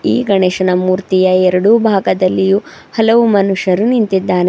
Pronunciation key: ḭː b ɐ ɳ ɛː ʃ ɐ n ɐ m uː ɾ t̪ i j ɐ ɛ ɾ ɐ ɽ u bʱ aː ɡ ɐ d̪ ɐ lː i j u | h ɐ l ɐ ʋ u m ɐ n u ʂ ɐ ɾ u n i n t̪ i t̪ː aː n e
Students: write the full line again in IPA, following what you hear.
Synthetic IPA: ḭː ɡ ɐ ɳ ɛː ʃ ɐ n ɐ m uː ɾ t̪ i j ɐ ɛ ɾ ɐ ɽ u bʱ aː ɡ ɐ d̪ ɐ lː i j u | h ɐ l ɐ ʋ u m ɐ n u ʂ ɐ ɾ u n i n t̪ i d̪ː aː n e